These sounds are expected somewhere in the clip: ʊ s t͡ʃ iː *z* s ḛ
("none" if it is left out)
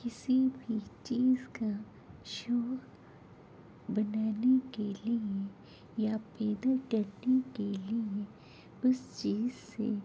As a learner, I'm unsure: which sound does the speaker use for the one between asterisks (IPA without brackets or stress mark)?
z